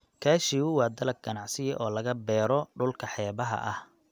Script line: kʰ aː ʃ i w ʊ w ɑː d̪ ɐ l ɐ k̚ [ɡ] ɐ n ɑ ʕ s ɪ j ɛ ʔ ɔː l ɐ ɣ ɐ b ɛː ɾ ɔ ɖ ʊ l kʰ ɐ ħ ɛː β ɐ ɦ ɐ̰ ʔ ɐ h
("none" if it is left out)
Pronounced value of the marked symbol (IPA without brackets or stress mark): ɡ